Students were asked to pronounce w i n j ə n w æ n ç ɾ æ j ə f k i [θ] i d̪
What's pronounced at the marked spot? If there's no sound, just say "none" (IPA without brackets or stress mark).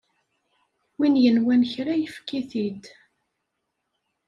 θ